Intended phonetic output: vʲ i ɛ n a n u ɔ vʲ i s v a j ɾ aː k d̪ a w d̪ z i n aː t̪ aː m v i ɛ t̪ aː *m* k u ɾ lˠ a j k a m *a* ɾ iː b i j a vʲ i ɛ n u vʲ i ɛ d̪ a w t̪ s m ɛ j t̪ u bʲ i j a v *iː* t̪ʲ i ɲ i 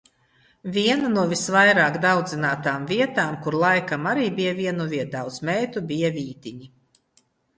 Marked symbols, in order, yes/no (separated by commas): yes, yes, yes